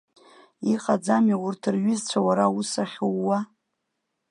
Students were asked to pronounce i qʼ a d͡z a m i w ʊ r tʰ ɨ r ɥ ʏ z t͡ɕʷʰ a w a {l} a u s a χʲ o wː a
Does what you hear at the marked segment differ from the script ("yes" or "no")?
yes